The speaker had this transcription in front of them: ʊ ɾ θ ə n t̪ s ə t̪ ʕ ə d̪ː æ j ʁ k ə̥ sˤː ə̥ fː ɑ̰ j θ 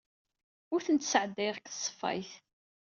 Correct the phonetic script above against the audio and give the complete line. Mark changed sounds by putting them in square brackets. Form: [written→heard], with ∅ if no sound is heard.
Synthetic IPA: ʊ ɾ θ ə n t̪ s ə [t̪→∅] ʕ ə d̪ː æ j ʁ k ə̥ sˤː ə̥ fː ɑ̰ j θ